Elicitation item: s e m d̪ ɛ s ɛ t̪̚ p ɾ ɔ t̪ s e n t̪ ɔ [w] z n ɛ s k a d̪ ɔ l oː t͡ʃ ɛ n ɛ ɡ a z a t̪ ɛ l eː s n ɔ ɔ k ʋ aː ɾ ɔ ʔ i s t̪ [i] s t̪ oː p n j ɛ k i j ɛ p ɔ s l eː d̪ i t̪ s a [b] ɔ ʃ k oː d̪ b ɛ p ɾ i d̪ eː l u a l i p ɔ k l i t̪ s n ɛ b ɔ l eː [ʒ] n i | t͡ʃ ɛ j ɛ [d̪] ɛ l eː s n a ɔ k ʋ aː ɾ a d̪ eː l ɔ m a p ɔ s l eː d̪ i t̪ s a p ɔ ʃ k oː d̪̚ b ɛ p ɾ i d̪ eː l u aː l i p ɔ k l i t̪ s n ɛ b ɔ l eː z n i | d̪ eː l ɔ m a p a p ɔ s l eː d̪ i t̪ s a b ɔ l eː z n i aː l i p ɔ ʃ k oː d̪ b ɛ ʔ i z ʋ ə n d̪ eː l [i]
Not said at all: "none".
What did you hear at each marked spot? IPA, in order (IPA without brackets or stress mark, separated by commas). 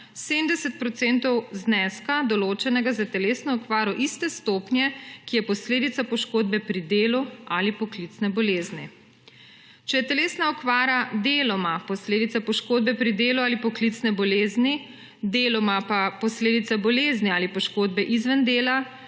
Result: w, ɛ, p, z, t̪, a